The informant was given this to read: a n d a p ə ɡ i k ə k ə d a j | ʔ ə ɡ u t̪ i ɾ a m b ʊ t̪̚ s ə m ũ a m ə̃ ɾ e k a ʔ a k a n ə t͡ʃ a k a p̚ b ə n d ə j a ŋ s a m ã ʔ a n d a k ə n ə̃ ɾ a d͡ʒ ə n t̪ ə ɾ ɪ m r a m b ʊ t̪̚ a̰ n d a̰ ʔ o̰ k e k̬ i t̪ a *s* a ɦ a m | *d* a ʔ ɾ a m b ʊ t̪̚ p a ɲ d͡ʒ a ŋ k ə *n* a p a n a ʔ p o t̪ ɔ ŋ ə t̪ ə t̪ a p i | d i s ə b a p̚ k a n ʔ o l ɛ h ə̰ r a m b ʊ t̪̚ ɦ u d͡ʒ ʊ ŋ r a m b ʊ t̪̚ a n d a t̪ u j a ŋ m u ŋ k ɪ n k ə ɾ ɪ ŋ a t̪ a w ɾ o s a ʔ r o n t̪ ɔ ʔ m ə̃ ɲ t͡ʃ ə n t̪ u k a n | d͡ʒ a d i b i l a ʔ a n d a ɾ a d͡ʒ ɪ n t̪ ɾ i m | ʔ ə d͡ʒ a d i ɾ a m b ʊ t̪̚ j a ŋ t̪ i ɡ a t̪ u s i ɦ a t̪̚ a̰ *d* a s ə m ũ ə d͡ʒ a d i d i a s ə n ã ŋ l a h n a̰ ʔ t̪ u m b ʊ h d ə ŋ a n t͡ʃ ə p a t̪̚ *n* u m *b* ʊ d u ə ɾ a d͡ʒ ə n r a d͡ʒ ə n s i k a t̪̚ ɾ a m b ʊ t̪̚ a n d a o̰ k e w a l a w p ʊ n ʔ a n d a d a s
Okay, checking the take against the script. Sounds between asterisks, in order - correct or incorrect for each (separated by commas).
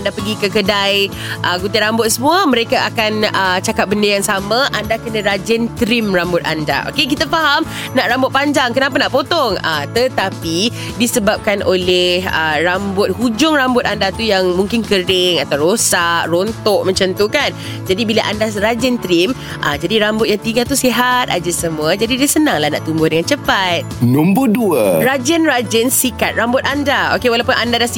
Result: incorrect, incorrect, correct, incorrect, correct, correct